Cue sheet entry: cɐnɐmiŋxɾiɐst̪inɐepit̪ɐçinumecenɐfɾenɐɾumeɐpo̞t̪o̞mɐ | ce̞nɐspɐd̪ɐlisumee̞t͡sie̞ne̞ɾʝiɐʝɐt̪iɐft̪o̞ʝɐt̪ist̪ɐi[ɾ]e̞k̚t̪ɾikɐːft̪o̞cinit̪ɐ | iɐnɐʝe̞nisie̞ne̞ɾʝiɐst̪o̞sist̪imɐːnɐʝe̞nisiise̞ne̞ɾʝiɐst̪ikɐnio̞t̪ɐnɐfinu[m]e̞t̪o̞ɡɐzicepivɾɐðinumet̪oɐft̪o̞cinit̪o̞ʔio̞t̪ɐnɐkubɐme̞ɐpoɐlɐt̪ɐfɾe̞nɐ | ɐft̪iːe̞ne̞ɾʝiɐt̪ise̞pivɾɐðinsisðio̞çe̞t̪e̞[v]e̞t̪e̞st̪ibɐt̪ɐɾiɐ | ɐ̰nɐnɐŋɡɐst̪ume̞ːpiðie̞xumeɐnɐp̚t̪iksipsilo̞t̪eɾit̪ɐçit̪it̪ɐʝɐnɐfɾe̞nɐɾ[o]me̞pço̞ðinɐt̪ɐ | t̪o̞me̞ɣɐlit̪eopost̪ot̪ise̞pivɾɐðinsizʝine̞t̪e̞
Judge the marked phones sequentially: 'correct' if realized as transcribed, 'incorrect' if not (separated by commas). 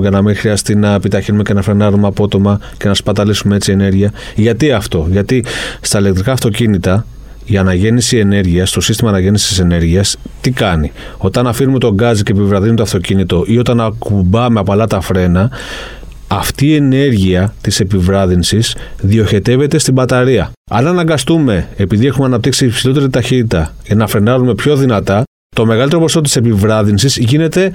incorrect, correct, correct, incorrect